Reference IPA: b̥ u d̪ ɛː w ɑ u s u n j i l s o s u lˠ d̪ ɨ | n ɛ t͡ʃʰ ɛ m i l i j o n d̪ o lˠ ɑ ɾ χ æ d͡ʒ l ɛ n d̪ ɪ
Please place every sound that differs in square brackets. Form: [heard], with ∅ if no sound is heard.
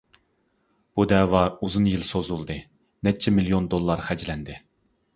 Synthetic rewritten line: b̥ u d̪ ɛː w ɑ u [z] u n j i l s o [z] u lˠ d̪ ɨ | n ɛ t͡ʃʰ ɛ m i l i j o n d̪ o [lˠː] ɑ ɾ χ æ d͡ʒ l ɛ n d̪ ɪ